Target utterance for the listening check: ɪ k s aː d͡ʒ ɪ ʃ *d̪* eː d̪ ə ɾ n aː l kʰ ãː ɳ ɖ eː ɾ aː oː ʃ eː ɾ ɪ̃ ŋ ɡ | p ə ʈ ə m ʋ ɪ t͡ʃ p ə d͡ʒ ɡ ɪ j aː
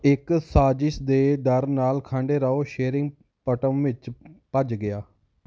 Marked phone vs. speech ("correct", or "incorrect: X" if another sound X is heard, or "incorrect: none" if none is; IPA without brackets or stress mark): correct